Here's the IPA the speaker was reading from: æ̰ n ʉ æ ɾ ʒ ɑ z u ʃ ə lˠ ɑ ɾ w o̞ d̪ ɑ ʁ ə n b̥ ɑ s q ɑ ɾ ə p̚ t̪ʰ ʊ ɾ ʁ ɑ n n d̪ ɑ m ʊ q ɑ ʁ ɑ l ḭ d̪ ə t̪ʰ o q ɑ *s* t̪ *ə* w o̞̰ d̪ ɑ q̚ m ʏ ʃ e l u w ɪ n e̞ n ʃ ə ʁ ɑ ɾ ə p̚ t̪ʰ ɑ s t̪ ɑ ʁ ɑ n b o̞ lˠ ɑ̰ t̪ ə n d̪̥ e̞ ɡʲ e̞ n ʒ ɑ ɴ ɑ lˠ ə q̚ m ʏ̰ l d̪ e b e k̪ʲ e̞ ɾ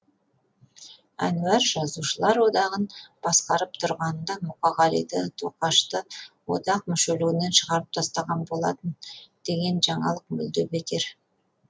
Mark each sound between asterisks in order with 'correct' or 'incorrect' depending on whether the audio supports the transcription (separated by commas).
incorrect, correct